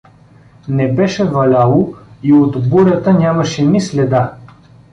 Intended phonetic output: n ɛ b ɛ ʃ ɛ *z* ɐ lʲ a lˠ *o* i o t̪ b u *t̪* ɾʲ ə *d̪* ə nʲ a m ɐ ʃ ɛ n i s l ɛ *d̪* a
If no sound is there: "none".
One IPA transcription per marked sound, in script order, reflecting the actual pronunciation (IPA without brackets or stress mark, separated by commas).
v, o, none, t̪, d̪